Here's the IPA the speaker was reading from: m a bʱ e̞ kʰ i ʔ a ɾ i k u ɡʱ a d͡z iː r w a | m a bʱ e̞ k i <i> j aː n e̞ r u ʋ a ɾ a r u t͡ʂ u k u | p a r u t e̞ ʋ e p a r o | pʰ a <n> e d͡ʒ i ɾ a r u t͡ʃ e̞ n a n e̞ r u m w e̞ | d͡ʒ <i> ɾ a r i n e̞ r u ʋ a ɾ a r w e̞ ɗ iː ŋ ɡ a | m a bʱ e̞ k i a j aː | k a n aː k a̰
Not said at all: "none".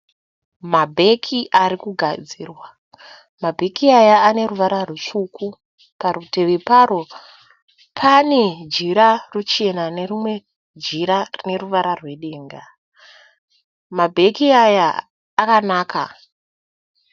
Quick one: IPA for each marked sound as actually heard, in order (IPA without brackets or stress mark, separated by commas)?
a, n, i